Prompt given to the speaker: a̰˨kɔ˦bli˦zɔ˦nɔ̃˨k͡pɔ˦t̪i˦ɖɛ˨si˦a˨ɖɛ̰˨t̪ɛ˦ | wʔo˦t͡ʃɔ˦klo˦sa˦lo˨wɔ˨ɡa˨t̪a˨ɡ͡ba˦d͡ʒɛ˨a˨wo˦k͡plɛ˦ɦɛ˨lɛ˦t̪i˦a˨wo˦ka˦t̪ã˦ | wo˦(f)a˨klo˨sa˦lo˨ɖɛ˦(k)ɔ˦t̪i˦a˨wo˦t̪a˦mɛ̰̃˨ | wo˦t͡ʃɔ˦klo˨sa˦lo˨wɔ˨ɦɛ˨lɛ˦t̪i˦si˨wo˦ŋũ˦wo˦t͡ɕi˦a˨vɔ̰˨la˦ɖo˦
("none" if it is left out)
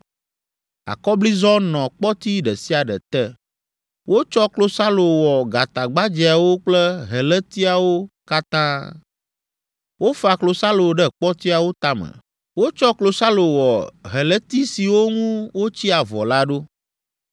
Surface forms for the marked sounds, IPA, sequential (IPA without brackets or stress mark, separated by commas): f, k͡p